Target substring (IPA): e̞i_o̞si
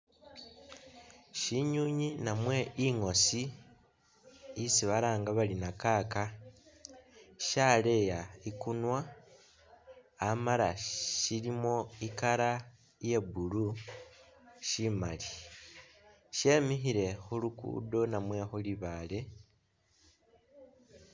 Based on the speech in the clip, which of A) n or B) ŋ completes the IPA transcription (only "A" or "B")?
B